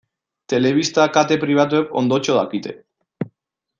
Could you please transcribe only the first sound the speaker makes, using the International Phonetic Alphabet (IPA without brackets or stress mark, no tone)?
t̪